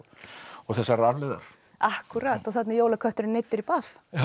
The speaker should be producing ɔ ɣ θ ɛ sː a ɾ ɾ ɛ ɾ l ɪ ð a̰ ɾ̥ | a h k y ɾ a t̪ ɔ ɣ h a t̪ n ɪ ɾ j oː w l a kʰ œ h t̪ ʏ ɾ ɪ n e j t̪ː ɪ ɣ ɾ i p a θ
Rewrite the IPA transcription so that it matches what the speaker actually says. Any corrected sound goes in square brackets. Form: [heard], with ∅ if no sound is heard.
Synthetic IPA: ɔ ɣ θ ɛ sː a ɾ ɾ [a] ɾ l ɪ ð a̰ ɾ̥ | a h k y ɾ a t̪ ɔ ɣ [θ] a t̪ n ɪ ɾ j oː w l a kʰ œ h t̪ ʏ ɾ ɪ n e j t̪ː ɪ [∅] ɾ i p a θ